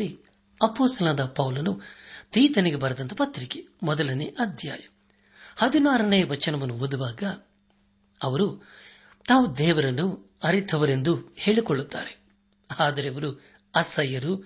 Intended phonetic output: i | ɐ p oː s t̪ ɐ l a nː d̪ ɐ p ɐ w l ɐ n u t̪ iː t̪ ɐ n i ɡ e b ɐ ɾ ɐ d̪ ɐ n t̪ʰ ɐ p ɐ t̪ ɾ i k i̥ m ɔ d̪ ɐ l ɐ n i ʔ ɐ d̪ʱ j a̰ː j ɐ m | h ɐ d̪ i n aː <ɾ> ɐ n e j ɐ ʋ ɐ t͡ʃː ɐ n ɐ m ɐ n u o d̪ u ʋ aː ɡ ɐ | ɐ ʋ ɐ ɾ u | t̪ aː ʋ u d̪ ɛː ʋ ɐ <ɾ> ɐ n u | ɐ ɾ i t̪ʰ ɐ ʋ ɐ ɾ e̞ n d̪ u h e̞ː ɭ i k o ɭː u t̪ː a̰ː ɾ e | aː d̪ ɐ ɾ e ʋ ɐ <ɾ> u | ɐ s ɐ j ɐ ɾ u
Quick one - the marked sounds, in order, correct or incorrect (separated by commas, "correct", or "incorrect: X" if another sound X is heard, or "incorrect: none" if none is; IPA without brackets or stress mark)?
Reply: correct, correct, correct